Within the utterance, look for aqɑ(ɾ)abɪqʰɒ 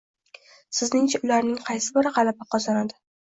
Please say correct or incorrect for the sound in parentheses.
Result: incorrect